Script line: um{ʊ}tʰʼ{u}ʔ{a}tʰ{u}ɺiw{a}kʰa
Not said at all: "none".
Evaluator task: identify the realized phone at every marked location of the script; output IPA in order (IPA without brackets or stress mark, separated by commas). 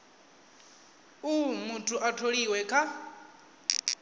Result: u, u, a, o, ɛ